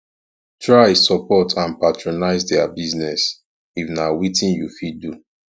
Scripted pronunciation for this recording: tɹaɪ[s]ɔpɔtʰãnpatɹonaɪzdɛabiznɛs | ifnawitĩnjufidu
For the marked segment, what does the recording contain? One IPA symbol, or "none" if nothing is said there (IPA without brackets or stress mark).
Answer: s